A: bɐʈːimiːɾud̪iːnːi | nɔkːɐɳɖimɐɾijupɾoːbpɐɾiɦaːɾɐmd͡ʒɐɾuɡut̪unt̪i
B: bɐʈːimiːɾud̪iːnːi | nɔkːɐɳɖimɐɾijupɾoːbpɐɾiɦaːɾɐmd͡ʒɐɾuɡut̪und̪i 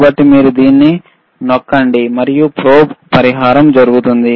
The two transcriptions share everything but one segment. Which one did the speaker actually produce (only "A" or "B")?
B